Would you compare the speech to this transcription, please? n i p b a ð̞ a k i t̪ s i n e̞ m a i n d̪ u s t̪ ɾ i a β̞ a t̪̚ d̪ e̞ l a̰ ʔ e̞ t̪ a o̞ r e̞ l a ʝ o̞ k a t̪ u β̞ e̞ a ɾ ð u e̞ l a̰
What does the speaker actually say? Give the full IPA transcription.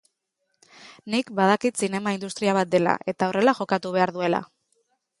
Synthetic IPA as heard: n i k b a ð̞ a k i t̪ s i n e̞ m a i n d̪ u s t̪ ɾ i a β̞ a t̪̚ d̪ e̞ l a̰ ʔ e̞ t̪ a o̞ r e̞ l a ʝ o̞ k a t̪ u β̞ e̞ a ɾ ð u e̞ l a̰